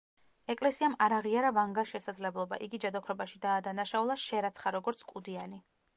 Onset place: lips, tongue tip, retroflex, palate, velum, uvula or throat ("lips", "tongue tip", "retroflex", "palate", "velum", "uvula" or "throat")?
velum